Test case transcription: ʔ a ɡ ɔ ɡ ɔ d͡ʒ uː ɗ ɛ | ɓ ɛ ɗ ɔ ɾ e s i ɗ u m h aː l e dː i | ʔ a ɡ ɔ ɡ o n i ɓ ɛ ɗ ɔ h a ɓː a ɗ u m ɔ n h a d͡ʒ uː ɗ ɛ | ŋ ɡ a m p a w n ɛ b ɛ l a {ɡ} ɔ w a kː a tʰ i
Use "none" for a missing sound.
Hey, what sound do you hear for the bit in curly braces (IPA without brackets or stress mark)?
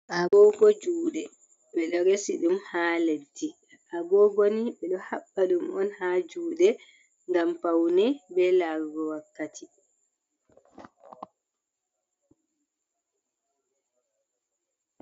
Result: ɡ